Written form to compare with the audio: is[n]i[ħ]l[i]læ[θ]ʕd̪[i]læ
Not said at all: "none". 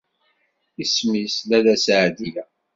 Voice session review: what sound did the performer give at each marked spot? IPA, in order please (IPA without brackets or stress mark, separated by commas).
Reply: m, s, æ, s, i